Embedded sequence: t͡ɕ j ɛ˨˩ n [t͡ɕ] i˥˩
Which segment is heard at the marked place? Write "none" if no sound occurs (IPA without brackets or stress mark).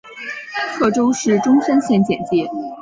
t͡ɕ